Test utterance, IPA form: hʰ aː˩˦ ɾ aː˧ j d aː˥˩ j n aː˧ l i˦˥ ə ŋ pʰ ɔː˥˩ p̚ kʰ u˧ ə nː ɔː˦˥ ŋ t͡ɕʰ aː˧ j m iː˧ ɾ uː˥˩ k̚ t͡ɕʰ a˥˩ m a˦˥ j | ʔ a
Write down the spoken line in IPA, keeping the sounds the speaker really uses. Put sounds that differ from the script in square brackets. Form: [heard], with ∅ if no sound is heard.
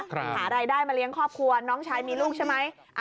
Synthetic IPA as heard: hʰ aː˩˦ ɾ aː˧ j d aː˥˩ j [m] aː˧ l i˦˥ ə ŋ [kʰ] ɔː˥˩ p̚ kʰ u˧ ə [n] ɔː˦˥ ŋ t͡ɕʰ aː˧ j m iː˧ [l] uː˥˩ k̚ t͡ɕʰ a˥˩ m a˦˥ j | ʔ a